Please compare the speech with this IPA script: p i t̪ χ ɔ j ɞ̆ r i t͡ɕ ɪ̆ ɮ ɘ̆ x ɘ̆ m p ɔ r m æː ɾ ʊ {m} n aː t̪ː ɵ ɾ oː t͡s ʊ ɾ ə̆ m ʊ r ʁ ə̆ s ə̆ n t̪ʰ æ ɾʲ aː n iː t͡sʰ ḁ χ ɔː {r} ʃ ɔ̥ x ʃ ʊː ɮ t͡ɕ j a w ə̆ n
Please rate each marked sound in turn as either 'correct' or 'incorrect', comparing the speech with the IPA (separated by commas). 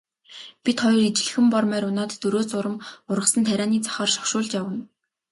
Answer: incorrect, correct